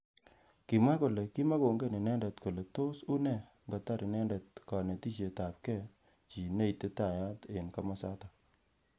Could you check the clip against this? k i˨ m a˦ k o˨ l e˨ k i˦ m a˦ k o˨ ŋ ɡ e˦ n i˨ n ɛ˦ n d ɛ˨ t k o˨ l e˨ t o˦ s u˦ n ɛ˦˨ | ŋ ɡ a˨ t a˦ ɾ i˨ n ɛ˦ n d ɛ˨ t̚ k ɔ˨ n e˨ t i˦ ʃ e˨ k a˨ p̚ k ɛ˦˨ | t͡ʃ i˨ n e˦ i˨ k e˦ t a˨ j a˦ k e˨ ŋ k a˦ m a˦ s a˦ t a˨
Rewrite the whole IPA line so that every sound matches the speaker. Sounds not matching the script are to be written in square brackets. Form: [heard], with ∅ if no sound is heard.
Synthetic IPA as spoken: k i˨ m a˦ k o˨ l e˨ k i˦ m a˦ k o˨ ŋ ɡ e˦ n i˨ n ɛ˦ n d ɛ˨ t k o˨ l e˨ t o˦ s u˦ n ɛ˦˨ | ŋ ɡ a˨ t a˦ ɾ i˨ n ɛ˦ n d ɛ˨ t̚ k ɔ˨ n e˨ t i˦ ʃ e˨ [t] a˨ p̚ k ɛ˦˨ | t͡ʃ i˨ n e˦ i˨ [t] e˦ t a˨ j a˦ [t] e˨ [n] k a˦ m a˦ s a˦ t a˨